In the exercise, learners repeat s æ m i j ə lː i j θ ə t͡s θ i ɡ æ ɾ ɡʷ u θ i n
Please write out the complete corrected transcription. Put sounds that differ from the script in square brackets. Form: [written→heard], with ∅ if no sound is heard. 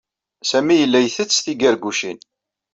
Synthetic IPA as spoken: s æ m i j ə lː [i→æ] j θ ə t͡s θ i ɡ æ ɾ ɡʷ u [θ→ʃ] i n